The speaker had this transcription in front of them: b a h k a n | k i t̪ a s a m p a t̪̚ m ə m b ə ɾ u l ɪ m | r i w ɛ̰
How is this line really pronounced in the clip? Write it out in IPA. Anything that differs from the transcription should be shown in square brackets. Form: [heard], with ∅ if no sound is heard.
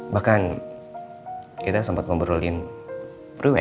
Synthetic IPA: b a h k a n | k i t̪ a s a m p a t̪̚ m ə m b ə ɾ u l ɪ [n] | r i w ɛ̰